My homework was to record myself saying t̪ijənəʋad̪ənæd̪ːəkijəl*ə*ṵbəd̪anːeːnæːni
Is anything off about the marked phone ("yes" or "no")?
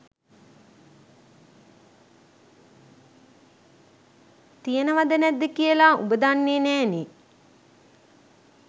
yes